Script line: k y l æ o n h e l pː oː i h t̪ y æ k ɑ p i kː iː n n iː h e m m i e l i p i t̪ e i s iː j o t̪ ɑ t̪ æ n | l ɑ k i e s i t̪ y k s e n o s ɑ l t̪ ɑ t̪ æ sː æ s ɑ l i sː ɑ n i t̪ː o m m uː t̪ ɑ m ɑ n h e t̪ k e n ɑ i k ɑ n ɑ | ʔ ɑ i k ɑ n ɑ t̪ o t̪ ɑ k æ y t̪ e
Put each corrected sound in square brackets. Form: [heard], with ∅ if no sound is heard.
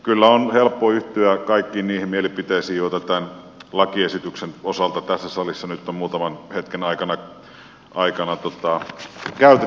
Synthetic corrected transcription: k y [lː] æ o n h e l pː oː [y] h t̪ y æ k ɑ [∅] i kː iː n n iː h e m m i e l i p i t̪ e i s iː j o t̪ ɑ t̪ æ n | l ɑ k i e s i t̪ y k s e n o s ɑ l t̪ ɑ t̪ æ sː æ s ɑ l i sː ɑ n [y] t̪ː o m m uː t̪ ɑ m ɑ n h e t̪ k e n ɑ i k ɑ n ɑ | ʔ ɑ i k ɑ n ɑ t̪ o t̪ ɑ k æ y t̪ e